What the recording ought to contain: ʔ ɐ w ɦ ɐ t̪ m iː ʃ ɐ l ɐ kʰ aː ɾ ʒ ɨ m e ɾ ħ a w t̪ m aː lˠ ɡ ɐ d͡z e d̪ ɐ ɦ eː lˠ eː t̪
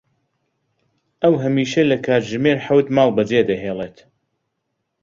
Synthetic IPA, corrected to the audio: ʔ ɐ w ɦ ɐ m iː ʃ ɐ l ɐ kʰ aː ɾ ʒ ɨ m e ɾ ħ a w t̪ m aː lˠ b ɐ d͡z e d̪ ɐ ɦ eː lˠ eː t̪